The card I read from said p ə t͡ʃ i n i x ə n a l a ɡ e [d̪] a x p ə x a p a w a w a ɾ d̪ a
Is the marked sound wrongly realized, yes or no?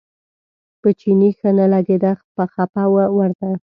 no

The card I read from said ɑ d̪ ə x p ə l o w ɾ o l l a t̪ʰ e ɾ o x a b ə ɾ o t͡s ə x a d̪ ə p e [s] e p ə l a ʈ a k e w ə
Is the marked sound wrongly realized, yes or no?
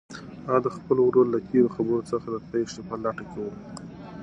yes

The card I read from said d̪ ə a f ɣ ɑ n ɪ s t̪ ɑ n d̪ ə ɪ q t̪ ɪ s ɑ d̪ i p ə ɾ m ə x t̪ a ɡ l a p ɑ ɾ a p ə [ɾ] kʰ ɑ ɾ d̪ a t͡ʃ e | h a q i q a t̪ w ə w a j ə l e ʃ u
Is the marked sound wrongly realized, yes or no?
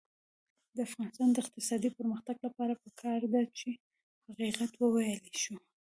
yes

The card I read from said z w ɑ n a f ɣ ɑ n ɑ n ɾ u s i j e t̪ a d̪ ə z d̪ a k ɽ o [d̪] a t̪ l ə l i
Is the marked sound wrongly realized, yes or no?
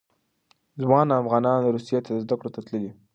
yes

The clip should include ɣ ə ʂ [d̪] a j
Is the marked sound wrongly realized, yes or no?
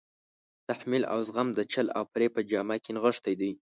yes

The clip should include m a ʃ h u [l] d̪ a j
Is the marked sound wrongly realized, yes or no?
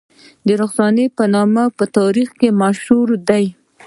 yes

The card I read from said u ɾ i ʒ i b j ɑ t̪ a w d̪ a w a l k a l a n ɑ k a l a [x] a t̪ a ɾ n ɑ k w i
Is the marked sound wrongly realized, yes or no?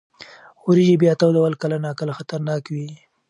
no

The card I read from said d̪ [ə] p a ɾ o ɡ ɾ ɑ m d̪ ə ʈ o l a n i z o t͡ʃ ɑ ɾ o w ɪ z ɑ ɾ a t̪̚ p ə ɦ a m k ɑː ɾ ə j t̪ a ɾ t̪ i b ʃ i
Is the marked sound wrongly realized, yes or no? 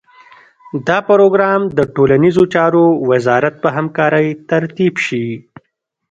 yes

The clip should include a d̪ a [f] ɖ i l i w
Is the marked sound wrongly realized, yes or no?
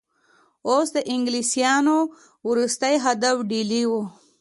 no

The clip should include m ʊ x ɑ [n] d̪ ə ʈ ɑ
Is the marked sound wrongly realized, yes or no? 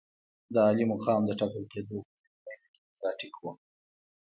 yes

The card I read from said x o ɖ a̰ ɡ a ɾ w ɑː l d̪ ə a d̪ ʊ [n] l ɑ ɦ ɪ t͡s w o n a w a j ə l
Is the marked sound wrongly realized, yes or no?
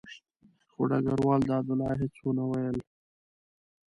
yes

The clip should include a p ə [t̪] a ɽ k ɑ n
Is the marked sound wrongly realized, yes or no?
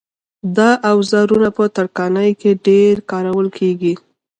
no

